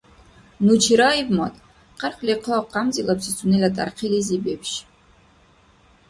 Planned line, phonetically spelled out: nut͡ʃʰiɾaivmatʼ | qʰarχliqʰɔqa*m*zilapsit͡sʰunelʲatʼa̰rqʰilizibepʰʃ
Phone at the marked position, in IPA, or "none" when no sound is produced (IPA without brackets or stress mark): m